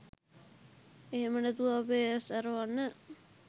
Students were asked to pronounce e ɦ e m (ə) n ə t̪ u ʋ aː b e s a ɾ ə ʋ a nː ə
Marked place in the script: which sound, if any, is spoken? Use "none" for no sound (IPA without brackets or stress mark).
ə